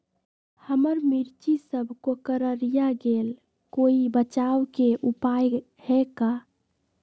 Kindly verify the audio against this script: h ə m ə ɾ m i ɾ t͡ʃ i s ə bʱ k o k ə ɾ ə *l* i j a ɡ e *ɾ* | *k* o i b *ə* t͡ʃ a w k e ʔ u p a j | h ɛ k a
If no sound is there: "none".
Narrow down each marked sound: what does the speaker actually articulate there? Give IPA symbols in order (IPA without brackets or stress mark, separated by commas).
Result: ɾ, l, k, ə